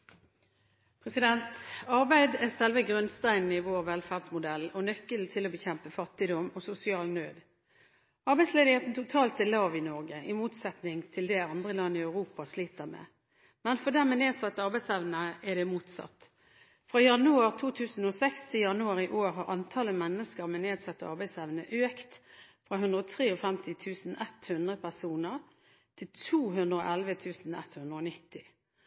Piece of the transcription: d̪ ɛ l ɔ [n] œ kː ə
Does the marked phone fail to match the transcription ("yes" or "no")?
no